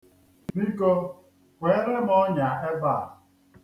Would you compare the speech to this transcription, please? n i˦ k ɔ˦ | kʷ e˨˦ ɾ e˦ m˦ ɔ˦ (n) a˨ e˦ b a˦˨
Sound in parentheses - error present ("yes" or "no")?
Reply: yes